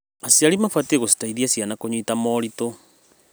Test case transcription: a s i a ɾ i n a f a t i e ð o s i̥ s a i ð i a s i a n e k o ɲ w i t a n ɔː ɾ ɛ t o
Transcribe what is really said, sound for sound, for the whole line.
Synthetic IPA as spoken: a s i a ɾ i m a f a t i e ɣ o s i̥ t a i ð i a s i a n a k o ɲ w i t a m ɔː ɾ i t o